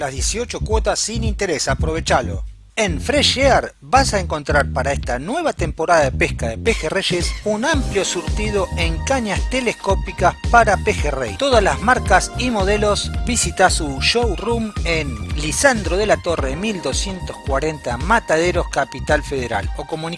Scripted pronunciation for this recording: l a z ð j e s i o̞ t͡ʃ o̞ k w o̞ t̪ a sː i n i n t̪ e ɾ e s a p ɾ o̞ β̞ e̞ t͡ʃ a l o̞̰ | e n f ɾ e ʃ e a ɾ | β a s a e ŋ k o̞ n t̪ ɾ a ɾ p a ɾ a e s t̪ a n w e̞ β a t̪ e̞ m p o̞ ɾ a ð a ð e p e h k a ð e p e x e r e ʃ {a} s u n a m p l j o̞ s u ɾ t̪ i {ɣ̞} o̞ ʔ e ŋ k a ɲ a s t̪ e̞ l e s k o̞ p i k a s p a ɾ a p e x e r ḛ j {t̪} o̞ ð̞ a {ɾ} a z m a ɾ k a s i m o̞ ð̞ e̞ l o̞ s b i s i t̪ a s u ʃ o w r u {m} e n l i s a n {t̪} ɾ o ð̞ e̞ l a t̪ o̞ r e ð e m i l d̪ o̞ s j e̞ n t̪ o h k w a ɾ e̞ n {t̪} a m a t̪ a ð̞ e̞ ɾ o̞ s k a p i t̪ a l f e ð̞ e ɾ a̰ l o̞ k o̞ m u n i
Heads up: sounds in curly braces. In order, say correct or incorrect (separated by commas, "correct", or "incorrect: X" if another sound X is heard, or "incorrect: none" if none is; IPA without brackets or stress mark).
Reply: incorrect: e, incorrect: ð̞, correct, incorrect: l, correct, incorrect: d̪, correct